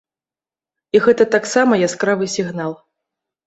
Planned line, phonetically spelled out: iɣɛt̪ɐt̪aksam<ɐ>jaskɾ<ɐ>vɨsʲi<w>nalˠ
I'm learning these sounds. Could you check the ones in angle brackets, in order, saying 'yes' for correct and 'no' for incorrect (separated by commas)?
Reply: yes, no, no